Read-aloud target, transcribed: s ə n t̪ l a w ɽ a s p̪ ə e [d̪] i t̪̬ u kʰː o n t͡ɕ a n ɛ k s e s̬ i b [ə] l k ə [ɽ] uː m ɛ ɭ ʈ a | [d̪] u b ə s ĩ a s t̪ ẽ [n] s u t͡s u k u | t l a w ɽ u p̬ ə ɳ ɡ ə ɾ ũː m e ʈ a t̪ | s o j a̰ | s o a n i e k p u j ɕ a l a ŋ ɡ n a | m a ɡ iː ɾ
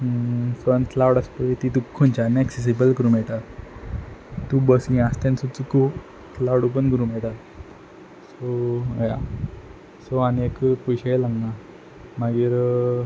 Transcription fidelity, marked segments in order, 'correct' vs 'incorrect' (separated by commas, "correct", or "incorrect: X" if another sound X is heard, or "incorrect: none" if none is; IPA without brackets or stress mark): incorrect: t̪, correct, incorrect: ɾ, incorrect: t̪, correct